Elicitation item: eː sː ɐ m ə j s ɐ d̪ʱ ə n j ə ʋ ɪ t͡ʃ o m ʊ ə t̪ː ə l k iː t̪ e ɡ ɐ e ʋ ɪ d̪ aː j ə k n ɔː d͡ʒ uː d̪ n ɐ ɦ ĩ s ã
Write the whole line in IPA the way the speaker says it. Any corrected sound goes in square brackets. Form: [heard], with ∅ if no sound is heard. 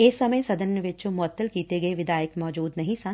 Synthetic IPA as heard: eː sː ɐ m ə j s ɐ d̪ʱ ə n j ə ʋ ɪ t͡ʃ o m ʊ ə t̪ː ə l k iː t̪ e ɡ ɐ e ʋ ɪ d̪ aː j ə k [m] ɔː d͡ʒ uː d̪ n ɐ ɦ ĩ s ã